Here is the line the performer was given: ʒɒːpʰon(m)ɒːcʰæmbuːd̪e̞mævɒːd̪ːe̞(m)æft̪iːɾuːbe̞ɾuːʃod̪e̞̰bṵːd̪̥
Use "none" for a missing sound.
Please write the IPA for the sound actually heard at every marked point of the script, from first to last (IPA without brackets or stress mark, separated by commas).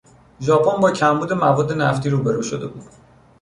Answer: b, n